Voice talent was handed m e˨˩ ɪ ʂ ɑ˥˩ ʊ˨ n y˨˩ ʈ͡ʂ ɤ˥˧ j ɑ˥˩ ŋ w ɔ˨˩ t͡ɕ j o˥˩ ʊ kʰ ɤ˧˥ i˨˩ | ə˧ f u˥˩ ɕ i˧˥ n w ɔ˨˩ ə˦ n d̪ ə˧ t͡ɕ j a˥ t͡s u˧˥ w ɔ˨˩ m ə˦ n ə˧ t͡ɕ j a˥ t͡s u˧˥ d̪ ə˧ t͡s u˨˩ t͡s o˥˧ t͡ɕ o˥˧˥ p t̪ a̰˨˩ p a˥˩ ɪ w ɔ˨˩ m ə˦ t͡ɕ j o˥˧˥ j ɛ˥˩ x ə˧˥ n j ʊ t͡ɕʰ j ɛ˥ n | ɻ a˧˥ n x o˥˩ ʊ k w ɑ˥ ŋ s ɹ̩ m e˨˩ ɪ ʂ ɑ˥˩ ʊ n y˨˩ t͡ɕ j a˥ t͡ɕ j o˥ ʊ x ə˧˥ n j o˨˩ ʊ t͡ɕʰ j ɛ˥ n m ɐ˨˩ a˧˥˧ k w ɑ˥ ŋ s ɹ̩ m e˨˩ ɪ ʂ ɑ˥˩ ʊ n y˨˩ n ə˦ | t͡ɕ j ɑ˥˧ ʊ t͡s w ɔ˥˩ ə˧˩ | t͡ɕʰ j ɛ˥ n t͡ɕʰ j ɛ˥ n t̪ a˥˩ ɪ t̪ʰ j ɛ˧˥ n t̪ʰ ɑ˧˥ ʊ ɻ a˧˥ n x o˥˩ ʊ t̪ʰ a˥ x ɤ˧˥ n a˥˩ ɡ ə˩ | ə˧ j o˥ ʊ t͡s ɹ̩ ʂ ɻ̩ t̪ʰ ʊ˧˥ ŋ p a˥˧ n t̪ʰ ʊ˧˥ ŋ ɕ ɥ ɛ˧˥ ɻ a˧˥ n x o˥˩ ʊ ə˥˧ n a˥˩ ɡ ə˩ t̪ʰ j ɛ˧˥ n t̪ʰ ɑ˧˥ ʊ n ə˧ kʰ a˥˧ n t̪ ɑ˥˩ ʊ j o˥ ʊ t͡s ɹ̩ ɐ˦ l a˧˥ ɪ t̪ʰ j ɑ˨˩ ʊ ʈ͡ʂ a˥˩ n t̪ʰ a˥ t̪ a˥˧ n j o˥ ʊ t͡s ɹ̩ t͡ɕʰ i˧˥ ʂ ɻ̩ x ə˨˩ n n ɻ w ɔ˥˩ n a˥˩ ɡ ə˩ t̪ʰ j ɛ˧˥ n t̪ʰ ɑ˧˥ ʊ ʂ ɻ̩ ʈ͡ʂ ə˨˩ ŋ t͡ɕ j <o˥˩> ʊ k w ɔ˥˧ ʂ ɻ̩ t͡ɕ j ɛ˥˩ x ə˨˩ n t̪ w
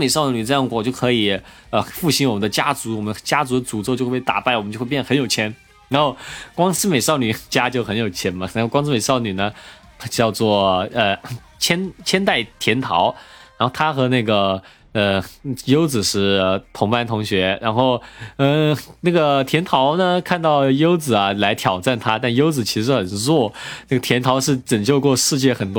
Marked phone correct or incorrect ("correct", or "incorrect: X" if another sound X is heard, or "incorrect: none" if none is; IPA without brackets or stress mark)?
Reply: incorrect: o˥˧